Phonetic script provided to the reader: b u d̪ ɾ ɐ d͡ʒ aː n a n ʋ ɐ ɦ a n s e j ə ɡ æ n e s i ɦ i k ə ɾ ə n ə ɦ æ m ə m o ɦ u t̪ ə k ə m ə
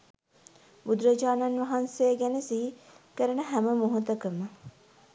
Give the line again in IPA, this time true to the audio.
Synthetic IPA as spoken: b u d̪ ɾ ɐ d͡ʒ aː n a n ʋ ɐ ɦ a n s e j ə ɡ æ n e s i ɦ i k ə ɾ ə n ə ɦ æ m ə m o ɦ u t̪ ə k ə m ə